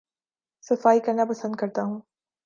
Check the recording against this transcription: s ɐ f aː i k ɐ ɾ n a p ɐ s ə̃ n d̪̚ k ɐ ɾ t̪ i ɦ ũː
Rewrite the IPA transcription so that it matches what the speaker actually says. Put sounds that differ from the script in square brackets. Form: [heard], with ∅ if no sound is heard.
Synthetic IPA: s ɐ f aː i k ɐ ɾ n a p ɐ s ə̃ n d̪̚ k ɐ ɾ t̪ [a] ɦ ũː